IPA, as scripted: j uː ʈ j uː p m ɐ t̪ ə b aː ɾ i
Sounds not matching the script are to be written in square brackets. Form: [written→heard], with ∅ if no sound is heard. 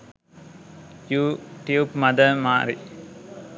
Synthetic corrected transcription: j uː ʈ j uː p m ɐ [t̪→d̪] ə [b→m] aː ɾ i